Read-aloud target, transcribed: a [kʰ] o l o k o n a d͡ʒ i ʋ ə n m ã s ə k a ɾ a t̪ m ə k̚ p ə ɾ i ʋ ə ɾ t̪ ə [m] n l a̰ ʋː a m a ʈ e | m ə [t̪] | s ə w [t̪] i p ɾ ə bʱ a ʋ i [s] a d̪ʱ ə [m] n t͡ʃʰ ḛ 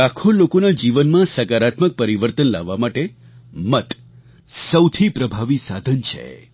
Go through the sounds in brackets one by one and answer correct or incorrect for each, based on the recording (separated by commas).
correct, incorrect, correct, incorrect, correct, incorrect